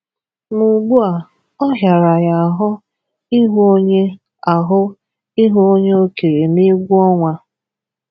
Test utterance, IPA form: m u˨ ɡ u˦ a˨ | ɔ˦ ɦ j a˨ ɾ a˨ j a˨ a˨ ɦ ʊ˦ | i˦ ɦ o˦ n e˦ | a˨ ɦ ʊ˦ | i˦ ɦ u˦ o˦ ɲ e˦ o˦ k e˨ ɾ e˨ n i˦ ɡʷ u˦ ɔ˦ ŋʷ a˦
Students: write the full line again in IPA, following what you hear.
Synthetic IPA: m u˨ ɡ͡b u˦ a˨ | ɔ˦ ɦ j a˨ ɾ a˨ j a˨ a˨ ɦ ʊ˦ | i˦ ɦ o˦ ɲ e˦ | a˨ ɦ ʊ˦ | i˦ ɦ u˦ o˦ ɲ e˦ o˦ k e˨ ɾ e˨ n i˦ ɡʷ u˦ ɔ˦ ŋʷ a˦